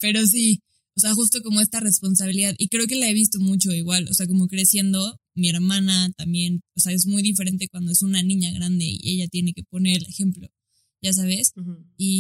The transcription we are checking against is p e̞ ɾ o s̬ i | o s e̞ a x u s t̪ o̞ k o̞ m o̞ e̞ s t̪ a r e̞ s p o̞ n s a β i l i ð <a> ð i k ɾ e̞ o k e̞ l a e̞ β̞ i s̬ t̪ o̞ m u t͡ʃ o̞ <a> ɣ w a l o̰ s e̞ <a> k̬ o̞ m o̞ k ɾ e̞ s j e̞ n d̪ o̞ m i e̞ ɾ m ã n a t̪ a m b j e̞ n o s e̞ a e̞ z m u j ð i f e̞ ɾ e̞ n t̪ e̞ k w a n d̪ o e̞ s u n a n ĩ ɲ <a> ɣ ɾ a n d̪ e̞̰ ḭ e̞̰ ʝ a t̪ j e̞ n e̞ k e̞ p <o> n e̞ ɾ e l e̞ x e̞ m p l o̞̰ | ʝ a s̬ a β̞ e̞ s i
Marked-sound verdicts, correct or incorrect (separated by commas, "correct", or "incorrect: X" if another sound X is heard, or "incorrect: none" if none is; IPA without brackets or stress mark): correct, incorrect: i, correct, correct, correct